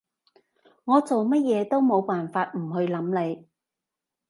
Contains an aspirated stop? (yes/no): no